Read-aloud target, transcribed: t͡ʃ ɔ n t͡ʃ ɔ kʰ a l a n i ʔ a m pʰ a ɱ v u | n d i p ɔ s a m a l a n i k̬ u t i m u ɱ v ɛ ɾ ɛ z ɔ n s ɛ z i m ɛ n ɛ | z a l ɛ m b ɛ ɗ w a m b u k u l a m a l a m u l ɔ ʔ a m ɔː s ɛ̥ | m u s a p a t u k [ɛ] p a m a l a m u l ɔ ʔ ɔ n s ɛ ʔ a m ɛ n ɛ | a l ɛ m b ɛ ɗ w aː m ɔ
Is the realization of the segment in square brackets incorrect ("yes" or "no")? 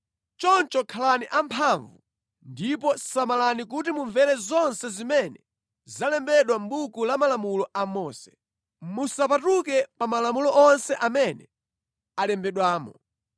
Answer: no